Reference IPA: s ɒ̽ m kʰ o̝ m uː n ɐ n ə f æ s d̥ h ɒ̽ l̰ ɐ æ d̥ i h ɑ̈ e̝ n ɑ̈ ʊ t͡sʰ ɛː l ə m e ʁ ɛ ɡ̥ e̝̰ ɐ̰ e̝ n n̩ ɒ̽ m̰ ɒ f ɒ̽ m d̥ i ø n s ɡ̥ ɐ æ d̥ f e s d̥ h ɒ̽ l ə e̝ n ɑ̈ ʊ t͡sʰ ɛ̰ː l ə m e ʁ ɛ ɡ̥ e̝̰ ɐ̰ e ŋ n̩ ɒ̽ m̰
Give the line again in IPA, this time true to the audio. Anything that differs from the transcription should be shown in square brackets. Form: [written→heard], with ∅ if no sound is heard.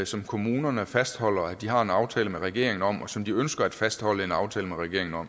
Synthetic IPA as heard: s ɒ̽ m kʰ o̝ m uː n ɐ n ə f æ s d̥ h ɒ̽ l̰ ɐ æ d̥ i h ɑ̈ e̝ n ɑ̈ ʊ t͡sʰ ɛː l ə m e ʁ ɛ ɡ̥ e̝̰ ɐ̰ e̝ [n→ŋ] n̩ ɒ̽ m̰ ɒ [f→s] ɒ̽ m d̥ i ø n s ɡ̥ ɐ æ d̥ f [e→æ] s d̥ h ɒ̽ l ə e̝ n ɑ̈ ʊ t͡sʰ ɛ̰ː l ə m e ʁ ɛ ɡ̥ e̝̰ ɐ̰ e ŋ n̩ ɒ̽ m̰